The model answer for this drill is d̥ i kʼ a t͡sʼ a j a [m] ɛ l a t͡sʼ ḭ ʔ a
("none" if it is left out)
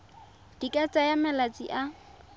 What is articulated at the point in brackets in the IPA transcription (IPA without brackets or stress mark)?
m